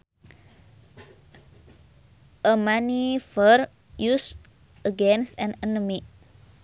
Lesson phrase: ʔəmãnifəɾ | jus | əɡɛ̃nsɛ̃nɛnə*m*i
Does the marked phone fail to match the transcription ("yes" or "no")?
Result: no